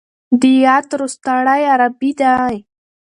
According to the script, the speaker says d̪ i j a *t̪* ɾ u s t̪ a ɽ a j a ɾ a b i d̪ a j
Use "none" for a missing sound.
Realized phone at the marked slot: t̪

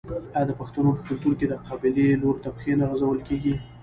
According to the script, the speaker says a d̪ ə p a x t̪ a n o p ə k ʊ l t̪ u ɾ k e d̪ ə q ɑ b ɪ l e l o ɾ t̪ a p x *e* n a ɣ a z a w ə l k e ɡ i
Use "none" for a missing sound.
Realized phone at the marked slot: e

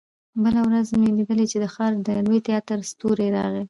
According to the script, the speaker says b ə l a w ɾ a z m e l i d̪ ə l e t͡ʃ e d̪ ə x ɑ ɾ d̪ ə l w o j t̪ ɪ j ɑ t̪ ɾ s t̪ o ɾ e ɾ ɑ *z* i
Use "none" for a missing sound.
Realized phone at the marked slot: ɣ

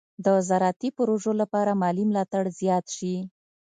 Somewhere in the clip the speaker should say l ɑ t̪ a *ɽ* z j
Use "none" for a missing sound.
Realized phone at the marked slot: ɽ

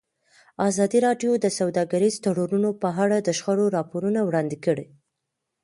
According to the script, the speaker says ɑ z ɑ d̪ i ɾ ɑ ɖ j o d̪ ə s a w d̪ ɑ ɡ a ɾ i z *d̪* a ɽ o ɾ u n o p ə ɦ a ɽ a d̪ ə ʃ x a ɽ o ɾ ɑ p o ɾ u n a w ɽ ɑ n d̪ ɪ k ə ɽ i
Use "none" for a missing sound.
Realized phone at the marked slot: t̪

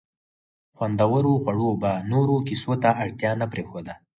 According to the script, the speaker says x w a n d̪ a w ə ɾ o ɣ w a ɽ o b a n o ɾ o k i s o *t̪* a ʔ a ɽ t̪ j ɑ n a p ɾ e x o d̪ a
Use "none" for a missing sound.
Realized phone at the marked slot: t̪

